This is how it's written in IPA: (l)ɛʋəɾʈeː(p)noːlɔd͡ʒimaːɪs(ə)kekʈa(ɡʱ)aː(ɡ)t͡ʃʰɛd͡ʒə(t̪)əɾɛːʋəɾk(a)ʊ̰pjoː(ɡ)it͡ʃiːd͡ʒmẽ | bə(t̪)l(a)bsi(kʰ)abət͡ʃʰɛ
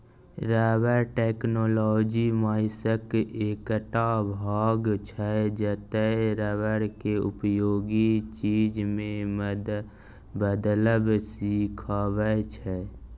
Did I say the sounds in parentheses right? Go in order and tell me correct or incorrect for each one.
incorrect: ɾ, incorrect: k, correct, incorrect: bʱ, correct, correct, incorrect: e, correct, incorrect: d̪, incorrect: ə, correct

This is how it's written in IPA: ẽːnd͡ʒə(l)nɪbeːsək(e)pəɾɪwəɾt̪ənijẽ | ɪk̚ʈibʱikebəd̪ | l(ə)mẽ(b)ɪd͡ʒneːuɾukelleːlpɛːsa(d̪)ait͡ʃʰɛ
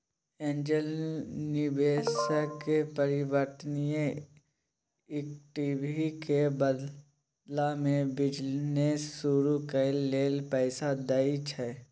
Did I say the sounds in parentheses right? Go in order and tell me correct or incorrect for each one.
correct, correct, incorrect: a, correct, correct

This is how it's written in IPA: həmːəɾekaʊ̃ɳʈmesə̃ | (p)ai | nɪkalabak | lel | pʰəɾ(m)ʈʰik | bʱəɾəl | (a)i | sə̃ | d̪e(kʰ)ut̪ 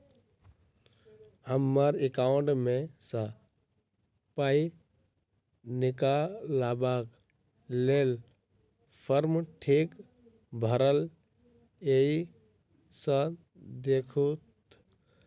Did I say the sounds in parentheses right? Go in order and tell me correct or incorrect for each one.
correct, correct, incorrect: e, correct

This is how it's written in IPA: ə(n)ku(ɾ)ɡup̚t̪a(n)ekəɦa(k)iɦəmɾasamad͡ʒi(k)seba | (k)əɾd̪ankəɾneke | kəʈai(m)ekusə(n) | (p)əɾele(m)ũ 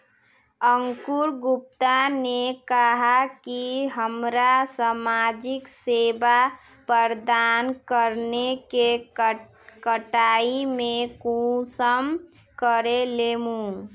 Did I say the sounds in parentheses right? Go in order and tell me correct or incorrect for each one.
incorrect: ŋ, correct, correct, correct, correct, incorrect: p, correct, incorrect: m, incorrect: k, correct

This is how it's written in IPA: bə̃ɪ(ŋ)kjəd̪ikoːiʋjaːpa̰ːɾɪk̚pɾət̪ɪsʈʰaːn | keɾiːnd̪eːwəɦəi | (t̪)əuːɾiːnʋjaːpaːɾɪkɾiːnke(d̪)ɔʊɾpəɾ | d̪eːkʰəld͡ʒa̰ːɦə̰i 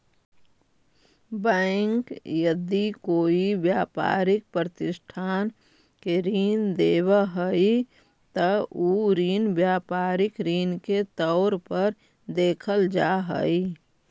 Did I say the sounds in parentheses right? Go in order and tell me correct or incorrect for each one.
correct, correct, incorrect: t̪

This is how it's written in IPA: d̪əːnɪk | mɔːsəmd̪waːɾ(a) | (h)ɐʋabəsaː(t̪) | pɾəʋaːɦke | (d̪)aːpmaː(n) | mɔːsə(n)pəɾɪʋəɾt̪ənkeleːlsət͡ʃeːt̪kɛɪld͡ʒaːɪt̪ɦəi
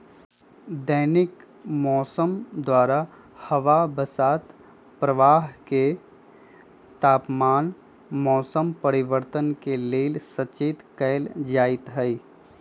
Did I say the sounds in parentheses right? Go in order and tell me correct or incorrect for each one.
correct, correct, correct, incorrect: t̪, correct, incorrect: m

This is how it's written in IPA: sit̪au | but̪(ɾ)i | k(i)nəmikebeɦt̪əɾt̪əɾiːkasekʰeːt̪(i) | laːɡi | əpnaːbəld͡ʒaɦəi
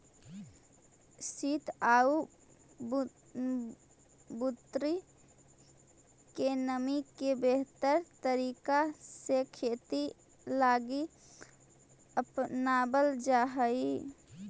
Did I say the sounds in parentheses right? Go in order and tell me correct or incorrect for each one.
correct, incorrect: e, correct

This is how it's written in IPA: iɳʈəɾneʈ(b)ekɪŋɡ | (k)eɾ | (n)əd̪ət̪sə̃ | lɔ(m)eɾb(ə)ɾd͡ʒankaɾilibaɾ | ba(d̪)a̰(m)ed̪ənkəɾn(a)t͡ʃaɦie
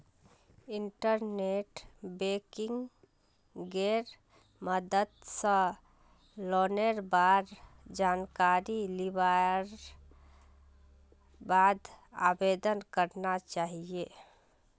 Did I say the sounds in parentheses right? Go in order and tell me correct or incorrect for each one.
correct, incorrect: ɡ, incorrect: m, incorrect: n, incorrect: a, correct, incorrect: b, correct

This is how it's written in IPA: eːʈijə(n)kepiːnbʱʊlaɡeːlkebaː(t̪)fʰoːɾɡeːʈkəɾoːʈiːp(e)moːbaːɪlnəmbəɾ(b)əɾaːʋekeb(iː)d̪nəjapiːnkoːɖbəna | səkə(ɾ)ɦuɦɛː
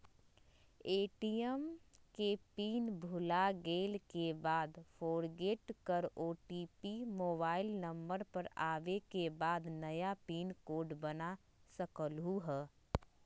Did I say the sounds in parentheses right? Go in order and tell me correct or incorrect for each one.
incorrect: m, incorrect: d̪, incorrect: i, incorrect: p, incorrect: aː, incorrect: l

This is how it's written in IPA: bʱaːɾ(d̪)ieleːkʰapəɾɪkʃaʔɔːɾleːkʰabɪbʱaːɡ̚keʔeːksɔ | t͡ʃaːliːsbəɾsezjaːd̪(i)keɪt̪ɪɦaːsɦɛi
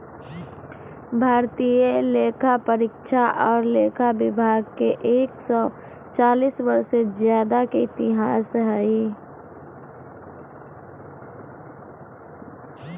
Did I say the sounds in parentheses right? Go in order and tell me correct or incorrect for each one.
incorrect: t̪, incorrect: a

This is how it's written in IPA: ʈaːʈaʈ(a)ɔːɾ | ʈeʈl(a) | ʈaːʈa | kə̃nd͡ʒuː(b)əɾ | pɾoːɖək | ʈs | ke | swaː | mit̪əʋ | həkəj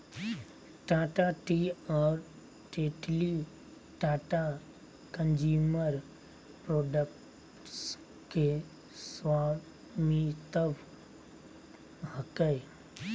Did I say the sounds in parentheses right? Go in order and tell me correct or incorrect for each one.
incorrect: i, incorrect: i, incorrect: m

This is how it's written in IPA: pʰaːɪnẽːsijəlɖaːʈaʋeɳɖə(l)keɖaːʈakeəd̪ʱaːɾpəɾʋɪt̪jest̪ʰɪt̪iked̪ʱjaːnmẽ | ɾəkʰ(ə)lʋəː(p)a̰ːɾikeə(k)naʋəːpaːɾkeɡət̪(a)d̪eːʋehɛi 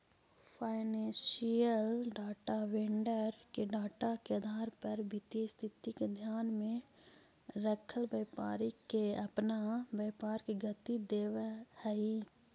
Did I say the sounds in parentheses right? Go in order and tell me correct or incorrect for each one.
incorrect: ɾ, correct, correct, incorrect: p, incorrect: i

